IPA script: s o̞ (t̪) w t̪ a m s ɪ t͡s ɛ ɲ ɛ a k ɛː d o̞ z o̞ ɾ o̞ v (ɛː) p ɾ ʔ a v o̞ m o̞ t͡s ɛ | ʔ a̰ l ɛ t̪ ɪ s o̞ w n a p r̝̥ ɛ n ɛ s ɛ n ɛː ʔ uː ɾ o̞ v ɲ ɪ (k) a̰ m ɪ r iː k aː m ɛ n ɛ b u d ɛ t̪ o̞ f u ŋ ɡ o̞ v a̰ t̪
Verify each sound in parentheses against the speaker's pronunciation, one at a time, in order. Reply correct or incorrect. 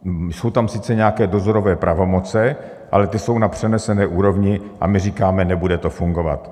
incorrect: none, correct, incorrect: ʔ

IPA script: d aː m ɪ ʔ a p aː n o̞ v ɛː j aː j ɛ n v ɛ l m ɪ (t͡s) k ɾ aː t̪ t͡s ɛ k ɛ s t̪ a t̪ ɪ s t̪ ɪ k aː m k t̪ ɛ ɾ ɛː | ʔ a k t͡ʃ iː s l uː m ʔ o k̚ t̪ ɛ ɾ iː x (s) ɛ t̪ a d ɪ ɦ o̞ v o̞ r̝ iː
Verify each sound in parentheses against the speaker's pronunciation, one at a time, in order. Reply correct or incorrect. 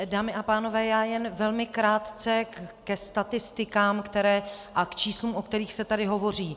incorrect: none, correct

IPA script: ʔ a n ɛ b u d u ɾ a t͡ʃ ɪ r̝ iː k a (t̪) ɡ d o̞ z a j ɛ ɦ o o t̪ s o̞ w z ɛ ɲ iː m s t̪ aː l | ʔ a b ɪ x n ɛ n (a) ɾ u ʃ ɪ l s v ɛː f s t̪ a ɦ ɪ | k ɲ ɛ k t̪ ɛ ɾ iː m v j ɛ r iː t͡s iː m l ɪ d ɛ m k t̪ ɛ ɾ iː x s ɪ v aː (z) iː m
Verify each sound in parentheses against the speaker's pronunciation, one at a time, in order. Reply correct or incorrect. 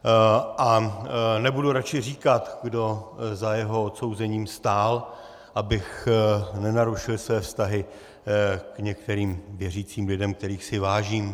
correct, correct, incorrect: ʒ

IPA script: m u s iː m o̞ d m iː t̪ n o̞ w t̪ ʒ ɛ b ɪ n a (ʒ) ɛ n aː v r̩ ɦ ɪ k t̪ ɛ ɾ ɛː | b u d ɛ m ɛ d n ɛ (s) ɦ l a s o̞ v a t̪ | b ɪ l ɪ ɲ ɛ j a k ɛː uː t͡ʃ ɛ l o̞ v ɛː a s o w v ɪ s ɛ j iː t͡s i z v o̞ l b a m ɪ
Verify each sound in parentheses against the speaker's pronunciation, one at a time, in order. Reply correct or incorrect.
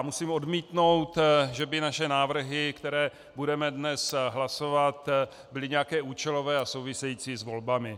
incorrect: ʃ, correct

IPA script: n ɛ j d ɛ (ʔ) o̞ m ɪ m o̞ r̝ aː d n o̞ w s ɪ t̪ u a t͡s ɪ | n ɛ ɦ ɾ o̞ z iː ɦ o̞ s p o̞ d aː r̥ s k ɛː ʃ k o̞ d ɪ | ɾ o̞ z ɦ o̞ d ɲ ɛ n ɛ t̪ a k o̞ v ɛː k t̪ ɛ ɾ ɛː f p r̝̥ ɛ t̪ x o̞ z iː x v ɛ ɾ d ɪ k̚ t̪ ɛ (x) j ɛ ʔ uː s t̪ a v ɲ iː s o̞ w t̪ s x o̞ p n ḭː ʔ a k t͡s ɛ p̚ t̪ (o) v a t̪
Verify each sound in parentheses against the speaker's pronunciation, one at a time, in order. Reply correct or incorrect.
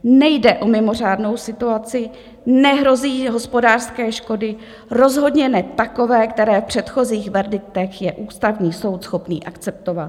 correct, correct, correct

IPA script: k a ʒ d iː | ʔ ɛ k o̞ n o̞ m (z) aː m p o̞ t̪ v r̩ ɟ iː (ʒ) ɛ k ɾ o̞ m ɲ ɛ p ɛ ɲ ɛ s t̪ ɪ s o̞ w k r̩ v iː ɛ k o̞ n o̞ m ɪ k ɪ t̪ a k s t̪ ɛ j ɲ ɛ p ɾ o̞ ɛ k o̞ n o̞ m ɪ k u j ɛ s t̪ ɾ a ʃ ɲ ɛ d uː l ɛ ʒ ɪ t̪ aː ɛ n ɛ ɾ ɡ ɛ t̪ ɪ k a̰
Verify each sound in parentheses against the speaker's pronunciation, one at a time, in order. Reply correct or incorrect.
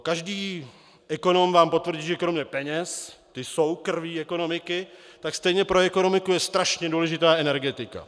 incorrect: v, correct

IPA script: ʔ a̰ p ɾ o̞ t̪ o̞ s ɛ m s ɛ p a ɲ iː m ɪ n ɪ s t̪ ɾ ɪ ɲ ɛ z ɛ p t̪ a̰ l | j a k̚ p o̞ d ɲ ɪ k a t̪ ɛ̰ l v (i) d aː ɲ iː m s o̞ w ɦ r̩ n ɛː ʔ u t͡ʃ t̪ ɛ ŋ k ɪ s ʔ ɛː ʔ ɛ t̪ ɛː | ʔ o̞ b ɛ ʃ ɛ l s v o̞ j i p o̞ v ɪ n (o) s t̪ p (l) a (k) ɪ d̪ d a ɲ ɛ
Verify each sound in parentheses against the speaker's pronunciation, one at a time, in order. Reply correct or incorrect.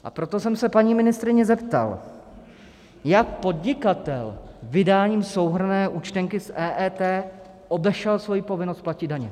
incorrect: ɪ, correct, correct, incorrect: c

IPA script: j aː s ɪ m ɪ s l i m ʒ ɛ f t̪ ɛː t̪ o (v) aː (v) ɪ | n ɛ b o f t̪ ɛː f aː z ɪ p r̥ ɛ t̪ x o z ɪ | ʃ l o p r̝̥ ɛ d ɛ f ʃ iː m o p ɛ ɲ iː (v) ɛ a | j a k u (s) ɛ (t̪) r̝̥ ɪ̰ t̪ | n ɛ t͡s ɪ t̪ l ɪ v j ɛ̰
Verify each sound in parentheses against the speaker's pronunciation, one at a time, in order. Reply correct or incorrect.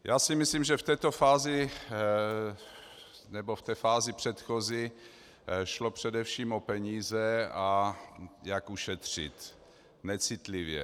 incorrect: f, incorrect: z, incorrect: z, incorrect: ʃ, correct

